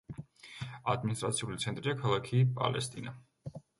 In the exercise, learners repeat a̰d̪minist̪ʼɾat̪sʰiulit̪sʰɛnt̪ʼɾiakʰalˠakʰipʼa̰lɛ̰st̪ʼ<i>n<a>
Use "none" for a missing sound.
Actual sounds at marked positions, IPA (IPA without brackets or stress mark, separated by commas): i, a